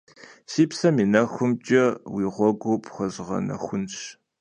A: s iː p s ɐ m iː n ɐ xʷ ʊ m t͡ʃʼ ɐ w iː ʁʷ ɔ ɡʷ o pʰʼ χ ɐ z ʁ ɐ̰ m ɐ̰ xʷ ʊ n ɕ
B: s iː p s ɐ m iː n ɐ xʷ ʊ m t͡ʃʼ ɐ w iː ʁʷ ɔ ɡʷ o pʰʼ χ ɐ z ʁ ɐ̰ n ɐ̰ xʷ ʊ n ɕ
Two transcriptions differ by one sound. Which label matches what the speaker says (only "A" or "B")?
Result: B